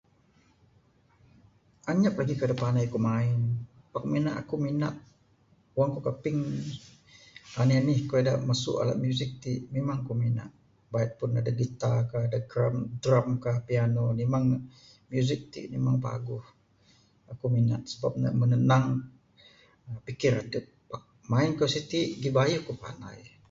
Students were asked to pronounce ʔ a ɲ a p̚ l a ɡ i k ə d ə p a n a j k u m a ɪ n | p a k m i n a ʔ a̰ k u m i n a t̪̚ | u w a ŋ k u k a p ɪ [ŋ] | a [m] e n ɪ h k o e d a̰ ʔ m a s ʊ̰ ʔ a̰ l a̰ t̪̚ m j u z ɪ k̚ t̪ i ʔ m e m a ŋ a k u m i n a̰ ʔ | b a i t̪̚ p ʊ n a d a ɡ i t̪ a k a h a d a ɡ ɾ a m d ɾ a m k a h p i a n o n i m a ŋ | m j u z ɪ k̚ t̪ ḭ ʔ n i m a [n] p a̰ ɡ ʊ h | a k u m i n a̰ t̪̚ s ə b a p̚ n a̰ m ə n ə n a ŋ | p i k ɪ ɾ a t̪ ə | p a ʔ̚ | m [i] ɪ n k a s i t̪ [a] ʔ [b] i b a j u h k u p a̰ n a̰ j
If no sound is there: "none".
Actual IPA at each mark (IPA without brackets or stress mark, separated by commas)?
ŋ, n, ŋ, a, i, ɡ